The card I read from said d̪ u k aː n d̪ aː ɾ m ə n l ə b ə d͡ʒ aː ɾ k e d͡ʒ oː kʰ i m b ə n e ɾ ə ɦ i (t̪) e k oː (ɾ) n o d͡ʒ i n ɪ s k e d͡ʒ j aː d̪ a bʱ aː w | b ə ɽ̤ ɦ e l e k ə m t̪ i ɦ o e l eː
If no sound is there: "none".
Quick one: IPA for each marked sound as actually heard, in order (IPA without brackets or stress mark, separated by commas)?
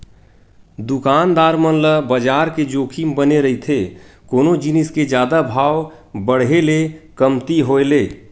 t̪ʰ, none